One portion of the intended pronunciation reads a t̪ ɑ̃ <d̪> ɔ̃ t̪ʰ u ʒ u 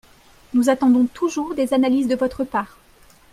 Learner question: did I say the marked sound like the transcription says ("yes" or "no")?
yes